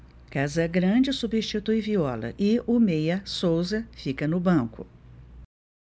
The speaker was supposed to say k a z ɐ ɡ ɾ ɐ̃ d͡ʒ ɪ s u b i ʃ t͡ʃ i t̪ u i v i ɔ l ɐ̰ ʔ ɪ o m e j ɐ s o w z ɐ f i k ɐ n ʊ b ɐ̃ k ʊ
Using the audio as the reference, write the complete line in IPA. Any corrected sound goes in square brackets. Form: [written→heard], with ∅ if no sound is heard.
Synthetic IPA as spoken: k a z ɐ ɡ ɾ ɐ̃ d͡ʒ ɪ s u b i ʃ t͡ʃ i t̪ u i v i ɔ l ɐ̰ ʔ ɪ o m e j ɐ s o w z ɐ f i k ɐ n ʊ b ɐ̃ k ʊ